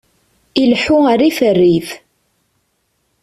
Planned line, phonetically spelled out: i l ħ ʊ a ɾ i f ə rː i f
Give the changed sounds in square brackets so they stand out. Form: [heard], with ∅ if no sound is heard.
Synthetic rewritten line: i l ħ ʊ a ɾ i f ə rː i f